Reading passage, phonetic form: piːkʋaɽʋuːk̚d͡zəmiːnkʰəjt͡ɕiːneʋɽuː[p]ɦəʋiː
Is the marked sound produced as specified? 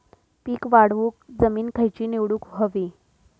no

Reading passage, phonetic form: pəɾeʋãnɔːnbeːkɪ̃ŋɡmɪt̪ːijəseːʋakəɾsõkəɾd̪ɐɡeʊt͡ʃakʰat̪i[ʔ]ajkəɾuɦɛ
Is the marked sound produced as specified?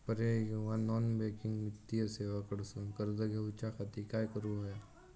no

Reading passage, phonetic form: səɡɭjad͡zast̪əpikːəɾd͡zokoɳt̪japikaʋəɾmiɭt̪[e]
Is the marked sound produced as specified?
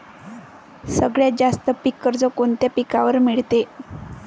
yes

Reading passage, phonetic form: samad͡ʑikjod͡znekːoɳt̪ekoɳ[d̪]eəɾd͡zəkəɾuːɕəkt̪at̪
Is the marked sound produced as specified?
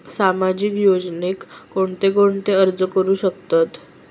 no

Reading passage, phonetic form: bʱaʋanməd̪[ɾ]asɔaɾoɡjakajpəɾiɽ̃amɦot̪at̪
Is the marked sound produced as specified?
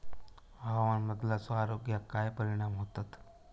no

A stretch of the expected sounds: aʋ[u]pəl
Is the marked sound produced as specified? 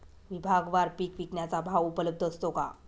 yes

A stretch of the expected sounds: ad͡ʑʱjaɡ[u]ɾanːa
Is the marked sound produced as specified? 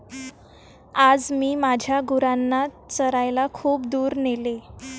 yes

